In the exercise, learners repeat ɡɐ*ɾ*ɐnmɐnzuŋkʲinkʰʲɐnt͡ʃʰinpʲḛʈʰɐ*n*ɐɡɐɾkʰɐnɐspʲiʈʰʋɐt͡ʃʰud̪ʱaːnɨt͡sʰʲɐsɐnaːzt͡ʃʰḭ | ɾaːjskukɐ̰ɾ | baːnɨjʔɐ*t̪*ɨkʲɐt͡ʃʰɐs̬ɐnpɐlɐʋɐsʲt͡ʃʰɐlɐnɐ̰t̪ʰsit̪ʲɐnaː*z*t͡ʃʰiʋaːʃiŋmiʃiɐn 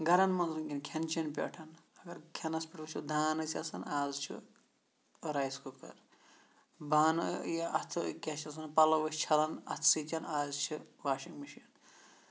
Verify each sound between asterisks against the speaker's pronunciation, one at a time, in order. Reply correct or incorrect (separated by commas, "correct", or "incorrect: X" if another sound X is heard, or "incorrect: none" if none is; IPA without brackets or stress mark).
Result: correct, correct, incorrect: t̪ʰ, correct